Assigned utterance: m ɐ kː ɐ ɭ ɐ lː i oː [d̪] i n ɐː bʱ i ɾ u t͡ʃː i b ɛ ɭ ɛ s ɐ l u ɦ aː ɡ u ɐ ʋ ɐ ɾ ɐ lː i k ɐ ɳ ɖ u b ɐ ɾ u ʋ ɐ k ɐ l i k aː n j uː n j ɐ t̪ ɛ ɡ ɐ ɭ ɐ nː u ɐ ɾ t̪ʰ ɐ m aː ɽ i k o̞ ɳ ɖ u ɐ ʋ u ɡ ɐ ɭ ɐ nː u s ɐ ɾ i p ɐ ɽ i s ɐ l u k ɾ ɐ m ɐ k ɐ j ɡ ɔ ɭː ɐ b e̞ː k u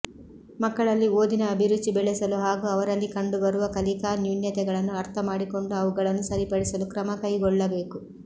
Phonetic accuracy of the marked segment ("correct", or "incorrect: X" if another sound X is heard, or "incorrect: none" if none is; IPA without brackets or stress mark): correct